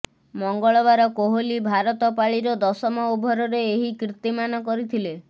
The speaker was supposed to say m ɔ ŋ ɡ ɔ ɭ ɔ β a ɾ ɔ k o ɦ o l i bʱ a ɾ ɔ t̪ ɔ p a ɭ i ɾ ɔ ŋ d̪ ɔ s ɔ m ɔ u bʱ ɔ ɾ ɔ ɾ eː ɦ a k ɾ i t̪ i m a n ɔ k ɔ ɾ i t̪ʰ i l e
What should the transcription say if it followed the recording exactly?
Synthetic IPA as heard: m ɔ ŋ ɡ ɔ ɭ ɔ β a ɾ ɔ k o ɦ o l i bʱ a ɾ ɔ t̪ ɔ p a ɭ i ɾ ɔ d̪ ɔ s ɔ m ɔ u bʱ ɔ ɾ ɔ ɾ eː ɦ i k ɾ i t̪ i m a n ɔ k ɔ ɾ i t̪ʰ i l e

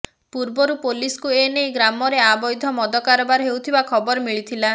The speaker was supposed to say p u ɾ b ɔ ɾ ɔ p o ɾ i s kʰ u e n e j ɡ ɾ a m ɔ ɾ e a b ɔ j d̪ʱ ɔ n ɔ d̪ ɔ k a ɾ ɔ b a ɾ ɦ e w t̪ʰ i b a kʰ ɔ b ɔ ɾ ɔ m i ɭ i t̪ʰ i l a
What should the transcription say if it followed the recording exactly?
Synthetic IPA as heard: p u ɾ b ɔ ɾ u p o l i s k u e n e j ɡ ɾ a m ɔ ɾ e a b ɔ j d̪ʱ ɔ m ɔ d̪ ɔ k a ɾ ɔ b a ɾ ɦ e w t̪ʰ i b a kʰ ɔ b ɔ ɾ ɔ m i ɭ i t̪ʰ i l a

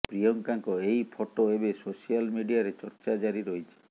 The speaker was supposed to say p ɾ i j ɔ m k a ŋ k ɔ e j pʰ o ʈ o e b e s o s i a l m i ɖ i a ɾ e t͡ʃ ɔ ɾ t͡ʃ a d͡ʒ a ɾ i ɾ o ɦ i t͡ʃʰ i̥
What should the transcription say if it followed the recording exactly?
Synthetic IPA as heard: p ɾ i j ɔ ŋ k a ŋ k ɔ e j pʰ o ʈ o e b e s o s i a l m i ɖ i a ɾ e t͡ʃ ɔ ɾ t͡ʃ a d͡ʒ a ɾ i ɾ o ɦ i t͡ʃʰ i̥

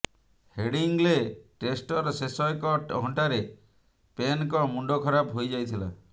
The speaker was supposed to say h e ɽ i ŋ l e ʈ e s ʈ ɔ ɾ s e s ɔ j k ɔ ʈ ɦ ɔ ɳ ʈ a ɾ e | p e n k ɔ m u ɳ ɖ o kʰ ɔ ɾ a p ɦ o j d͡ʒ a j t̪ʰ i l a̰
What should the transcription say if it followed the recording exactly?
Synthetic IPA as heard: h e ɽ i ŋ l e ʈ e s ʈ ɔ ɾ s e s ɔ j k ɔ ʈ ɦ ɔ ɳ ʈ a ɾ e | p e n k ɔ m u ɳ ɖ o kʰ ɔ ɾ a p ɦ o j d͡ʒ a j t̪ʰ i l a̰

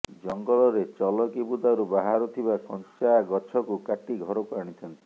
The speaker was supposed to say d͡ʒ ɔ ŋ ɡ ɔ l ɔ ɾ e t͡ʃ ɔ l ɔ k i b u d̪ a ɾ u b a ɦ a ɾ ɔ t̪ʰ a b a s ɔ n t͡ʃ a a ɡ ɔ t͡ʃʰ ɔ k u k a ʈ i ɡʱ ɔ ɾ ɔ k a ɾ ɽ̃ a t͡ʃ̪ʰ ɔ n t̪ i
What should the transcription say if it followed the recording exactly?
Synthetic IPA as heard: d͡ʒ ɔ ŋ ɡ ɔ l ɔ ɾ e t͡ʃ ɔ l ɔ k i b u d̪ a ɾ u b a ɦ a ɾ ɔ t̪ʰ i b a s ɔ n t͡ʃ a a ɡ ɔ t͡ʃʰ ɔ k u k a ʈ i ɡʱ ɔ ɾ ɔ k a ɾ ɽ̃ i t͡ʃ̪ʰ ɔ n t̪ i

